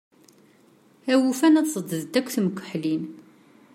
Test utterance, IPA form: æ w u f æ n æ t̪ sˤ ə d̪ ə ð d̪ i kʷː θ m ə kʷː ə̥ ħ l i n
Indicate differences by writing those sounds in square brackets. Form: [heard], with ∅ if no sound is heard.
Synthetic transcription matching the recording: æ w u f æ n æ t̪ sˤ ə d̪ ə ð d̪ [æ] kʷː θ m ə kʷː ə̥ ħ l i n